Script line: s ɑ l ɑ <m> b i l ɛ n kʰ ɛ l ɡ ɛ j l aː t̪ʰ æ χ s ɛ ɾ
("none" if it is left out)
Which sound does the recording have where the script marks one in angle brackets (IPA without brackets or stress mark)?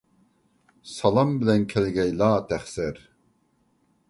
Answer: m